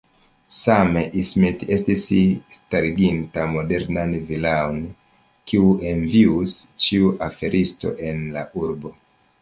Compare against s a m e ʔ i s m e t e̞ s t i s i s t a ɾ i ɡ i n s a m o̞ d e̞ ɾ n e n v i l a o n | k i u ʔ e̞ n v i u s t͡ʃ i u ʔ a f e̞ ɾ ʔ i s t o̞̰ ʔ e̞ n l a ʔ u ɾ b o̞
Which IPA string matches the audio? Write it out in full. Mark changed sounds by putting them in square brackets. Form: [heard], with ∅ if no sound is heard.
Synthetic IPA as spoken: s a m e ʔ i s m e t e̞ s t i s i s t a ɾ i ɡ i n [t] a m o̞ d e̞ ɾ n [a] n v i l a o n | k i u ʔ e̞ n v i u s t͡ʃ i u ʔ a f e̞ ɾ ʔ i s t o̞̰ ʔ e̞ n l a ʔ u ɾ b o̞